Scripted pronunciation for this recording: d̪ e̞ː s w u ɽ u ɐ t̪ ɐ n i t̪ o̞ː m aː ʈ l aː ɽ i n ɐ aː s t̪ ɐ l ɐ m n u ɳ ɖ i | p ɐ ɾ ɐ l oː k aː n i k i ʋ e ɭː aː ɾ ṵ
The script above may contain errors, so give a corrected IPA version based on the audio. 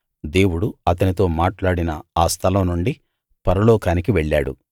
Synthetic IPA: d̪ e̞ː w u ɽ u ɐ t̪ ɐ n i t̪ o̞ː m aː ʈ l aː ɽ i n ɐ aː s t̪ʰ ɐ l ɐ m n u ɳ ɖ i | p ɐ ɾ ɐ l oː k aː n i k i ʋ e ɭː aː ɽ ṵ